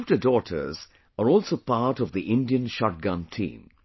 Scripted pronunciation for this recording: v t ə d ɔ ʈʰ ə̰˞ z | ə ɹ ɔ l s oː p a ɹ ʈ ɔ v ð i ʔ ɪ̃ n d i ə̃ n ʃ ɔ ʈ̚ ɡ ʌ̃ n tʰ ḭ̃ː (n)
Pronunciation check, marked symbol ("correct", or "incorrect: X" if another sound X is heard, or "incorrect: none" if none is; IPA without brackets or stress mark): incorrect: m